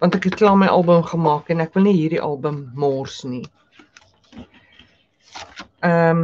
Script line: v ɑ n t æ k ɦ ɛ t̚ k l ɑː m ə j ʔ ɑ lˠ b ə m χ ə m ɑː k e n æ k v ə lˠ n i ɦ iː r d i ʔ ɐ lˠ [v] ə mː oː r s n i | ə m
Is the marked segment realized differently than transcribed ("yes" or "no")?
yes